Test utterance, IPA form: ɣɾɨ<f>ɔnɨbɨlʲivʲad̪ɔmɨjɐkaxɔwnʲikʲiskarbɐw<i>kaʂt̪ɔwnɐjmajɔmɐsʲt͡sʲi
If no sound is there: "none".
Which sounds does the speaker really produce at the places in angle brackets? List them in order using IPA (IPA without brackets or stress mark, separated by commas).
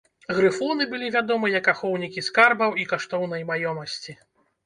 f, i